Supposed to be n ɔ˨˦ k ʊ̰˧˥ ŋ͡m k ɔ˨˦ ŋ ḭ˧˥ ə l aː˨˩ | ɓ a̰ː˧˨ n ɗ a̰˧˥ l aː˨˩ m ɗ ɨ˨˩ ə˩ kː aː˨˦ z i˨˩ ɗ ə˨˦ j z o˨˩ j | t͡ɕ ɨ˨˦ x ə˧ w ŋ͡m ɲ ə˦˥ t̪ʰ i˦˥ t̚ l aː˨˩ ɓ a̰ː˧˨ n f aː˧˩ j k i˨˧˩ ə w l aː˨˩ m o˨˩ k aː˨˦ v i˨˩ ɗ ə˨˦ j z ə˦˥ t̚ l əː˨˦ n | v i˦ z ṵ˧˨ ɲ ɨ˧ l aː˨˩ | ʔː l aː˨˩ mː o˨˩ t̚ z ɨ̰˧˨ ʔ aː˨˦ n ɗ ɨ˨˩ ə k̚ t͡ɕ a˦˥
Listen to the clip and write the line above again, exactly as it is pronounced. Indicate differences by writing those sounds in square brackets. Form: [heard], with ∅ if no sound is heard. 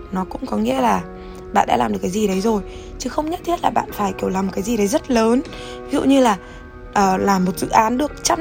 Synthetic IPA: n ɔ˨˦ k ʊ̰˧˥ ŋ͡m k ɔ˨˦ ŋ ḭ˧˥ ə l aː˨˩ | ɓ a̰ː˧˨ n ɗ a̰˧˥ l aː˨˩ m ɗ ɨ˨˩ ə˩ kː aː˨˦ z i˨˩ ɗ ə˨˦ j z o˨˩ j | t͡ɕ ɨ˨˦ x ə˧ w ŋ͡m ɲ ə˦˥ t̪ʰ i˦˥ t̚ l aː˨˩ ɓ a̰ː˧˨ n f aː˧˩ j k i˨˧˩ ə w l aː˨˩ m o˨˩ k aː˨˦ [z] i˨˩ ɗ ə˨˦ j z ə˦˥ t̚ l əː˨˦ n | v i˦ z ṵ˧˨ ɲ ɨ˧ l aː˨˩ | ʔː l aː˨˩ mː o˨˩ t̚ z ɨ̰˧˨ ʔ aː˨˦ n ɗ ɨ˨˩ ə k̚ t͡ɕ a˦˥